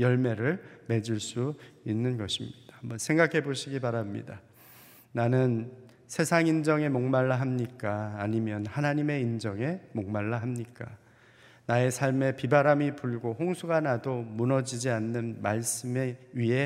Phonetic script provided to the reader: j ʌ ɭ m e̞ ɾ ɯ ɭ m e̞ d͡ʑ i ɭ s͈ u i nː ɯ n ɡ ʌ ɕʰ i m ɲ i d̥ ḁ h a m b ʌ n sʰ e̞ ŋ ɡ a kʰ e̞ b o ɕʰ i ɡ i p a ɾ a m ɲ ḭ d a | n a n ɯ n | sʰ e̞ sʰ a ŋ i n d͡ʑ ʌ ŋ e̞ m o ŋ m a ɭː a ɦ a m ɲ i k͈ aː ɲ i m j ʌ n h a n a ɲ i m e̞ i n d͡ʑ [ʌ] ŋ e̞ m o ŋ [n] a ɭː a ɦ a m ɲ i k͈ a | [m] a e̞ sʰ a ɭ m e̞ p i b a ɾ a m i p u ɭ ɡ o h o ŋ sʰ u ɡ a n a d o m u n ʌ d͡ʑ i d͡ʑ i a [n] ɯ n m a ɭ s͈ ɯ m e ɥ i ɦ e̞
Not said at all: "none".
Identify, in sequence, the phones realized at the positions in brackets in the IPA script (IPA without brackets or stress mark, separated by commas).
ʌ, m, n, nː